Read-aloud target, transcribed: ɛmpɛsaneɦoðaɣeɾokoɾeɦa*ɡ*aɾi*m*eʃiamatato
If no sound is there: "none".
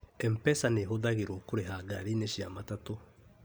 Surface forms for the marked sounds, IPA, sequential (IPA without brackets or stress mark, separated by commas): ɡ, n